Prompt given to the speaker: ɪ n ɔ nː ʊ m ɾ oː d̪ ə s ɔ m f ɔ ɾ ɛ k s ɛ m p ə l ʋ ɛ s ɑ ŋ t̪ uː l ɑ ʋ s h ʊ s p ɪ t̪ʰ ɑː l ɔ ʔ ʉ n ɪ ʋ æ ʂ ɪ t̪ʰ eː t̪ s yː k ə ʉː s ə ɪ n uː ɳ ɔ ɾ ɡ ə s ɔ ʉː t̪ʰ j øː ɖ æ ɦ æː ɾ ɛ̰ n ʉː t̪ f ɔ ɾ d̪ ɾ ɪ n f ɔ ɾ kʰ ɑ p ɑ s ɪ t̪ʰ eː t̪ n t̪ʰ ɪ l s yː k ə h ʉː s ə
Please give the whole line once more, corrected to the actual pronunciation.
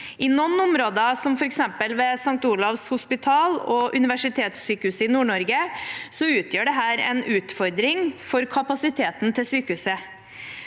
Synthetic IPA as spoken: ɪ n ɔ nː ʊ m ɾ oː d̪ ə s ɔ m f ɔ ɾ ɛ k s ɛ m p ə l ʋ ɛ s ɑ ŋ t̪ uː l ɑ ʋ s h ʊ s p ɪ t̪ʰ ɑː l ɔ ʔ ʉ n ɪ ʋ æ ʂ ɪ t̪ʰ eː t̪ s yː k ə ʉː s ə ɪ n uː ɳ ɔ ɾ ɡ ə s ɔ ʉː t̪ʰ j øː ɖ ɛ ɦ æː ɾ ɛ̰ n ʉː t̪ f ɔ ɾ d̪ ɾ ɪ ŋ f ɔ ɾ kʰ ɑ p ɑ s ɪ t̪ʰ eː t̪ n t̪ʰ ɪ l s yː k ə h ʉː s ə